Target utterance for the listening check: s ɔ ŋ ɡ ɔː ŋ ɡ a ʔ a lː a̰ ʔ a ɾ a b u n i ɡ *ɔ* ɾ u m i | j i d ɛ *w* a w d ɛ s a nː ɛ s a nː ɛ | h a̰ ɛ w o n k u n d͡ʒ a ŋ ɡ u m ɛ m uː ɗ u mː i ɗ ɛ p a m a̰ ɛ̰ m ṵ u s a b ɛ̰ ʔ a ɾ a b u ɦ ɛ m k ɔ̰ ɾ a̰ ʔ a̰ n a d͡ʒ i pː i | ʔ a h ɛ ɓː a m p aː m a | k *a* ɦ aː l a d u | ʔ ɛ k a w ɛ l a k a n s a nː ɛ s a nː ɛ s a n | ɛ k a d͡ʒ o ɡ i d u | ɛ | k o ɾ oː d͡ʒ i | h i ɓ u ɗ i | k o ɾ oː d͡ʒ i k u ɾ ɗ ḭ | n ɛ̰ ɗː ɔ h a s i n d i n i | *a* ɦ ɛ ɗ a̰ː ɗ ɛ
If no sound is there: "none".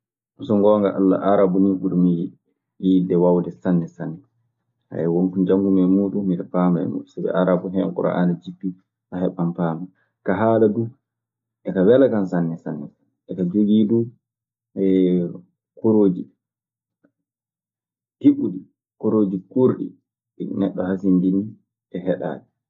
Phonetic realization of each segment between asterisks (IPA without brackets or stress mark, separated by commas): u, w, a, ɛ